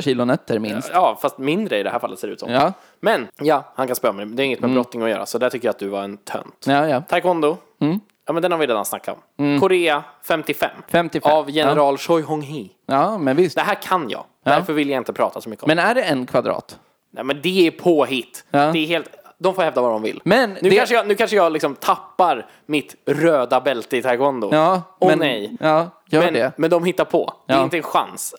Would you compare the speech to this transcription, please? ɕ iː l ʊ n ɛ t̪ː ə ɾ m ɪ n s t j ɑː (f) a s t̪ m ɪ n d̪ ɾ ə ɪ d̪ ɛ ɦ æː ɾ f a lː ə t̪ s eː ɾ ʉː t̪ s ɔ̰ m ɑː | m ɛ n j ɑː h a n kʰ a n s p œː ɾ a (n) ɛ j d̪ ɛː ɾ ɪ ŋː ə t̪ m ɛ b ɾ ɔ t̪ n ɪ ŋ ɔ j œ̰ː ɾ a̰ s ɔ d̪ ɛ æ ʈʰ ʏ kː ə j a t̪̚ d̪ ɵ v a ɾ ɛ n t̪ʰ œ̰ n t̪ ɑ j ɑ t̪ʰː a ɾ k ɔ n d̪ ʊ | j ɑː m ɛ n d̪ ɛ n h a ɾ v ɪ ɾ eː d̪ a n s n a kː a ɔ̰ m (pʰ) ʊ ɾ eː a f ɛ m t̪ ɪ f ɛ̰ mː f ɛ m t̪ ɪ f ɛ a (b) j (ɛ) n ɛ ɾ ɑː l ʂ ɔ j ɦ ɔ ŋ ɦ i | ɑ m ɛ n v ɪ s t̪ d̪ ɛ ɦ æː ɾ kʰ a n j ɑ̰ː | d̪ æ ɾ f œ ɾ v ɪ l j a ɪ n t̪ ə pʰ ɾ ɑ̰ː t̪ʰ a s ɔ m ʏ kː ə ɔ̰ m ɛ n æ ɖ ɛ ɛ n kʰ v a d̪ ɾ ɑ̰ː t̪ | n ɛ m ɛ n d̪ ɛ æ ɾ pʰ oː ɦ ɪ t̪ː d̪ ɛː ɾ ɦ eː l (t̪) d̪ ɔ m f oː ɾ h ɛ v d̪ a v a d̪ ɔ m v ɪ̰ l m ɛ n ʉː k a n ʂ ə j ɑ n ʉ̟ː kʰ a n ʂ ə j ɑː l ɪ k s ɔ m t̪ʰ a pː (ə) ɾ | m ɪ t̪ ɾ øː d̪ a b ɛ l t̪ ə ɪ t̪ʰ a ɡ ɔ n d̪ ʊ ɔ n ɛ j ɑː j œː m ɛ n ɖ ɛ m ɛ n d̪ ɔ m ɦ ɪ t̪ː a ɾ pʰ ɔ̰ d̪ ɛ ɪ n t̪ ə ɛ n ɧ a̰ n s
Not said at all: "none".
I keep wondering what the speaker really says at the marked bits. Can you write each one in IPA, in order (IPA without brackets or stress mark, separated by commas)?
f, m, kʰ, v, ɛ, t̪, a